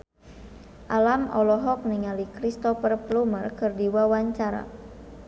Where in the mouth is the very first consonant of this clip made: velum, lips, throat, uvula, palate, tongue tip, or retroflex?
throat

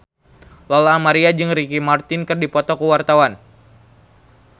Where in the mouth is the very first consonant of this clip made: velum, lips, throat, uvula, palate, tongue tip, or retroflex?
tongue tip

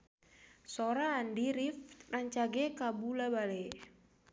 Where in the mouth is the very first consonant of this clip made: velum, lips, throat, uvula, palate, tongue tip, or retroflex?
tongue tip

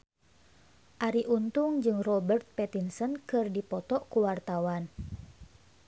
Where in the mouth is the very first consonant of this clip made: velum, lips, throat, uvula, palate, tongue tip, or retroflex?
throat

